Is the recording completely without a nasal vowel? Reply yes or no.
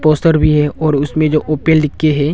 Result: no